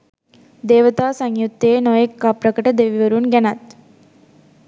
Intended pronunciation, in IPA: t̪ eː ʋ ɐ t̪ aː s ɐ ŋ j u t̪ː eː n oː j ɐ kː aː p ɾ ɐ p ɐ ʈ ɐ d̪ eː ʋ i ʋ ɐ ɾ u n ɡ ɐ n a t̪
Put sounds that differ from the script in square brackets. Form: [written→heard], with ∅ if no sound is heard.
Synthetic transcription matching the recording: [t̪→d̪] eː ʋ ɐ t̪ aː s ɐ ŋ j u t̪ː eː n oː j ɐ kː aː p ɾ ɐ [p→k] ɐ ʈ ɐ d̪ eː ʋ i ʋ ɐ ɾ u n ɡ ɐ n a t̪